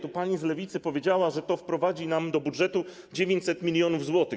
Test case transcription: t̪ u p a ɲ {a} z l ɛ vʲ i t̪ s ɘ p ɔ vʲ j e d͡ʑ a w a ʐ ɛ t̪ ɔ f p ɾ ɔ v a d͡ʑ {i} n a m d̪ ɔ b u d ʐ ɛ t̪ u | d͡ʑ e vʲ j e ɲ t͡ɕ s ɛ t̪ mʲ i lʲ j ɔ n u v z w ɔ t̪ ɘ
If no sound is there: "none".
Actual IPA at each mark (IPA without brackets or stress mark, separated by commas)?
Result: i, i